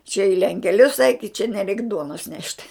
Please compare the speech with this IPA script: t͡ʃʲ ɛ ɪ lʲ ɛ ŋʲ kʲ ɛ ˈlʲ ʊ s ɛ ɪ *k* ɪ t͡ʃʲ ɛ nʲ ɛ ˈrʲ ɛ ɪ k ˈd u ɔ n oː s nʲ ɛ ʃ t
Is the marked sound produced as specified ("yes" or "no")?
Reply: yes